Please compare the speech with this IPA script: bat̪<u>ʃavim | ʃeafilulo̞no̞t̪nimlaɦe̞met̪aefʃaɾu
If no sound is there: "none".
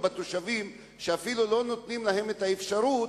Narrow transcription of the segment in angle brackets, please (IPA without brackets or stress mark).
o